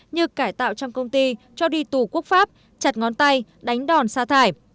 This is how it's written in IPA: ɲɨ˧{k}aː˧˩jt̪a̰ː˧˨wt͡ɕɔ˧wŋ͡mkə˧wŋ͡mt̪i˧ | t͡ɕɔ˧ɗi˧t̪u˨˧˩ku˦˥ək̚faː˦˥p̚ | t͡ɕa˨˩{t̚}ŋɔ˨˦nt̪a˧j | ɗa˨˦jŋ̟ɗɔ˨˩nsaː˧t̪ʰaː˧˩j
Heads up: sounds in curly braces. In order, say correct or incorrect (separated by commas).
correct, correct